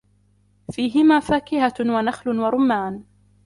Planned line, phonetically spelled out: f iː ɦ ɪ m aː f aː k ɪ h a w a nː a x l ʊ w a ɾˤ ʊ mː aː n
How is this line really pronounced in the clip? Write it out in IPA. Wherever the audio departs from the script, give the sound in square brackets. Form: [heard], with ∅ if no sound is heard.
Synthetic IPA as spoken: f iː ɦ ɪ m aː f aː k ɪ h a w a [n] a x l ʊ w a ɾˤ ʊ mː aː n

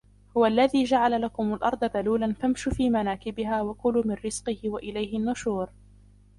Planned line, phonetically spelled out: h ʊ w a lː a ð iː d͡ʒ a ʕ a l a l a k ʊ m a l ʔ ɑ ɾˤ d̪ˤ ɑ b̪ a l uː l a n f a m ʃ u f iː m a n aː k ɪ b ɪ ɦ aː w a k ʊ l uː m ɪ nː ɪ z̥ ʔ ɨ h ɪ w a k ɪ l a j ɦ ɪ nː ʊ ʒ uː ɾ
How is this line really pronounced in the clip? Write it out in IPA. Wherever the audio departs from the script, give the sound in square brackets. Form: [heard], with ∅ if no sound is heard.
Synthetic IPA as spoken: h ʊ w a lː a ð iː d͡ʒ a ʕ a l a l a k ʊ m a l ʔ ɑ ɾˤ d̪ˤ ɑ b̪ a l uː l a n f a m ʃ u f iː m a n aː k ɪ b ɪ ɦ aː w a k ʊ l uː m ɪ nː ɪ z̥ [q] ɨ h ɪ w a [ʔ] ɪ l a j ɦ ɪ nː ʊ [ʃ] uː ɾ

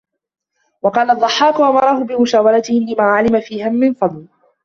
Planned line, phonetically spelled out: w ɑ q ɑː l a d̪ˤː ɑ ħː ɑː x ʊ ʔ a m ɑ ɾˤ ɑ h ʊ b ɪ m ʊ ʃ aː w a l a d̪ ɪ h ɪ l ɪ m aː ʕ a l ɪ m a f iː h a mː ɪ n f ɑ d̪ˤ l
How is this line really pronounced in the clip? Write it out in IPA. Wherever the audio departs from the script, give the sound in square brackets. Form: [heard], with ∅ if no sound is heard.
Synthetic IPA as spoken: w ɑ q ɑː l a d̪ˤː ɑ ħː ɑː [k] ʊ ʔ a m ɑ ɾˤ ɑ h ʊ b ɪ m ʊ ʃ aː w a l a [t̪] ɪ h ɪ l ɪ m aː ʕ a l ɪ m a f iː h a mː ɪ n f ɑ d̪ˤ l

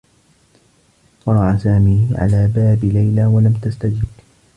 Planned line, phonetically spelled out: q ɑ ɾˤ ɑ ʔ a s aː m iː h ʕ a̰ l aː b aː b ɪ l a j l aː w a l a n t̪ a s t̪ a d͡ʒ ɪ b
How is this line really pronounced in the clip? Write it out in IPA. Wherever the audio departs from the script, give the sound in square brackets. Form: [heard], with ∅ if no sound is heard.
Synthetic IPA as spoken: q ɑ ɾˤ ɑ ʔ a s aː m iː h ʕ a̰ l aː b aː b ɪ l a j l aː w a l a [m] t̪ a s t̪ a d͡ʒ ɪ b

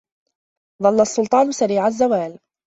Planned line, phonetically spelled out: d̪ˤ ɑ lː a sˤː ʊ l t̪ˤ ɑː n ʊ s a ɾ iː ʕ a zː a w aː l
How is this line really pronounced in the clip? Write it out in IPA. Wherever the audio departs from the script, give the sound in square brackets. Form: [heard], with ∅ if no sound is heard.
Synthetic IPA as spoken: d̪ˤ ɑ lː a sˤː ʊ l t̪ˤ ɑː n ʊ s a ɾ iː ʕ a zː a w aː l

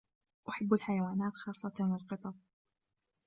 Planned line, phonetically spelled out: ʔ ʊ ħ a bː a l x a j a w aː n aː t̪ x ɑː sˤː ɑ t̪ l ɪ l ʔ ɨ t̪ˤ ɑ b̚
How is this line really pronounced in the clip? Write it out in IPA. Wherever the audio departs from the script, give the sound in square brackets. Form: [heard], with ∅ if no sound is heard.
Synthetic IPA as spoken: ʔ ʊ ħ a bː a l [ħ] a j a w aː n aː t̪ x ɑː sˤː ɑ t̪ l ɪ l [q] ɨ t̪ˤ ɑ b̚

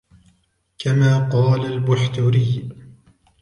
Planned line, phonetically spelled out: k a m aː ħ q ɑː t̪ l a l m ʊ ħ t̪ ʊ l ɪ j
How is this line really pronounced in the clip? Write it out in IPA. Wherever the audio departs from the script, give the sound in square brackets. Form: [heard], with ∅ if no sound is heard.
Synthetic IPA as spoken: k a m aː [∅] q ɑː [∅] l a l [b] ʊ ħ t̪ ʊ [ɾ] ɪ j

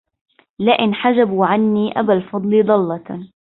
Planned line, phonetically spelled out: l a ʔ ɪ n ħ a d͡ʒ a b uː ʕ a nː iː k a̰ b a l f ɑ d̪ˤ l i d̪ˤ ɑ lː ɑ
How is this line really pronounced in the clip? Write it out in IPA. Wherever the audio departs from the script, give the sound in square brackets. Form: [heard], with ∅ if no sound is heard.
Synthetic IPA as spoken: l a ʔ ɪ n ħ a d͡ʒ a b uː ʕ a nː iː [ʔ] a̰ b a l f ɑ d̪ˤ l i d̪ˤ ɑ lː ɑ

